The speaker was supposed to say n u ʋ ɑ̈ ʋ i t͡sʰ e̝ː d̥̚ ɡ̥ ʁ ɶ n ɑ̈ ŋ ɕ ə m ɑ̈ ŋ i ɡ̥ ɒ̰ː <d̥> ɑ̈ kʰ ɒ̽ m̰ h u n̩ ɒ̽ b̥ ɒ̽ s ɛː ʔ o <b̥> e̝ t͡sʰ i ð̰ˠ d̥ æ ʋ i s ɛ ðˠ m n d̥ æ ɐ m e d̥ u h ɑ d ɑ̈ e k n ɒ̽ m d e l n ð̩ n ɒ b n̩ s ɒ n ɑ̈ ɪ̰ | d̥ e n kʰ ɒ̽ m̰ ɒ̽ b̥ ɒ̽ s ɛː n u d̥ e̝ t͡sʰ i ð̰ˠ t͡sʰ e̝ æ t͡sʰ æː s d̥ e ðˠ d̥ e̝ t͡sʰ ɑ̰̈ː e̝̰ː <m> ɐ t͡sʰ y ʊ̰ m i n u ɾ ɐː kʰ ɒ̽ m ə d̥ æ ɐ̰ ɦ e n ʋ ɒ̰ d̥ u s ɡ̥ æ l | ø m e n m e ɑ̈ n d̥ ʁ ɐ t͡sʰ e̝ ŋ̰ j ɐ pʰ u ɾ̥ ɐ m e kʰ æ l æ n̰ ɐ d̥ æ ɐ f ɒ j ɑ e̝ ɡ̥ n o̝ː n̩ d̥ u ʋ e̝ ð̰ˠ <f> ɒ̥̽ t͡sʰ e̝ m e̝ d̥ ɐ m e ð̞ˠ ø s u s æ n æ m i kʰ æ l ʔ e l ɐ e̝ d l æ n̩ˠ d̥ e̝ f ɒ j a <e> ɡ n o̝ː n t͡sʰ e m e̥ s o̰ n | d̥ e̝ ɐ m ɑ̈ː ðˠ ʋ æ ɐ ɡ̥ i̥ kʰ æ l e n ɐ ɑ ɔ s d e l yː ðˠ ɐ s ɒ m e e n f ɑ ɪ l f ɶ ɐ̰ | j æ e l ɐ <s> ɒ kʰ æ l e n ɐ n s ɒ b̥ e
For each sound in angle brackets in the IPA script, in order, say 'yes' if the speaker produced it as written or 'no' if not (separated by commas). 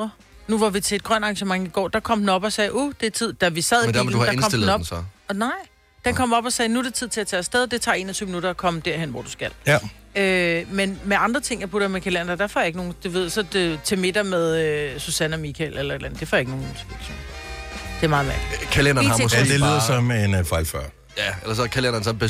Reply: yes, no, no, no, yes, yes